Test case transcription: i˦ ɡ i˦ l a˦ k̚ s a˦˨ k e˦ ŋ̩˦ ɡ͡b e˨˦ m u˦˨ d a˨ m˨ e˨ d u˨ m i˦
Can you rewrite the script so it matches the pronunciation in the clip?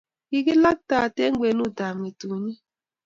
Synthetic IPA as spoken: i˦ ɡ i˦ l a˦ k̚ t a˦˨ t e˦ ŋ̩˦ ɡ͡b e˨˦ n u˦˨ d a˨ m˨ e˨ t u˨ ɲ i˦